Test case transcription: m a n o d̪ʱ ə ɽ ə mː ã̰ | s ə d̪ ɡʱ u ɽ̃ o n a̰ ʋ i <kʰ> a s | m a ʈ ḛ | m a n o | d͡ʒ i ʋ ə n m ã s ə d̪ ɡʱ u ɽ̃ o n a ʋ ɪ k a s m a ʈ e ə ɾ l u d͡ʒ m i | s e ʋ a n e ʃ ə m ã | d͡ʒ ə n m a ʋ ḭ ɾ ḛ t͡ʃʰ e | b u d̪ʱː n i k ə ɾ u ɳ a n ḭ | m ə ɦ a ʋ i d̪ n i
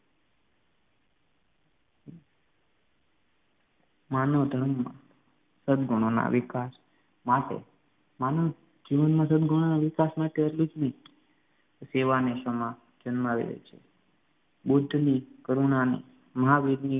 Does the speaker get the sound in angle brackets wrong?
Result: yes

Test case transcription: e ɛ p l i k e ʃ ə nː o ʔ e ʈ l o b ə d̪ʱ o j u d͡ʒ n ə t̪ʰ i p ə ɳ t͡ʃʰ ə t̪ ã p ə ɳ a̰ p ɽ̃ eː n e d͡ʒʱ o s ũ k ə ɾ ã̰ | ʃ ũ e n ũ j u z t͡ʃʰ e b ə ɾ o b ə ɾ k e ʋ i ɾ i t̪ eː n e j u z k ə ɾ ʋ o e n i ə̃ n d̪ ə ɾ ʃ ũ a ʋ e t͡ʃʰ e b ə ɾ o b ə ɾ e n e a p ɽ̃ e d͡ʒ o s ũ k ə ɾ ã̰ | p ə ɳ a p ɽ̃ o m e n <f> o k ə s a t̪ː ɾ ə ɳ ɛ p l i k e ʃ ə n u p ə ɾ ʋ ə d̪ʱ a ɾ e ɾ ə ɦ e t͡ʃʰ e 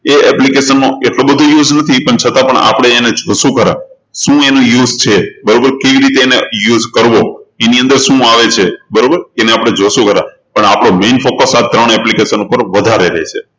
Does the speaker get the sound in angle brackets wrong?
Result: no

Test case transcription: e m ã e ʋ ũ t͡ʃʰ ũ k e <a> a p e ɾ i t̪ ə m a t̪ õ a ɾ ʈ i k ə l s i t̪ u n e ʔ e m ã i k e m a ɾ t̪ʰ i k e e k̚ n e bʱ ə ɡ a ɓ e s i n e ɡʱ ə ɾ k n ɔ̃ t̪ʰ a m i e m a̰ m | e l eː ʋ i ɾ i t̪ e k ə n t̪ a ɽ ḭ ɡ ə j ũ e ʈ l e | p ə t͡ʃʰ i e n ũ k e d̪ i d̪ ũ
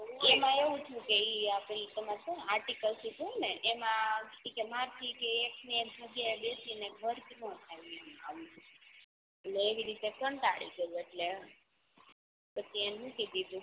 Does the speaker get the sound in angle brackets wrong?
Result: yes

